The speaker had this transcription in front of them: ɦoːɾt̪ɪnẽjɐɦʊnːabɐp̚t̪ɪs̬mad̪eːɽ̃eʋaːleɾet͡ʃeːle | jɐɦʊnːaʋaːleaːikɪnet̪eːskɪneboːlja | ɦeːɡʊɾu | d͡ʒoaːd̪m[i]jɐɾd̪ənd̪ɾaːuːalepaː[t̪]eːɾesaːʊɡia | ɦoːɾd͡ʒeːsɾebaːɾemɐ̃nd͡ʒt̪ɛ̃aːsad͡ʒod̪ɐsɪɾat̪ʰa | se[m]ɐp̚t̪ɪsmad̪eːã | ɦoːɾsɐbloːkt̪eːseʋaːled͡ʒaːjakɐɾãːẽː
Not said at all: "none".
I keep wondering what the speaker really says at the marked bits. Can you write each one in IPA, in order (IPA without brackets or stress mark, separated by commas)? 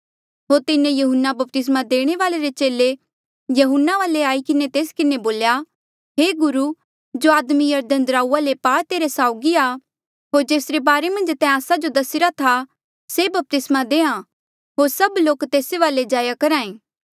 i, t̪, b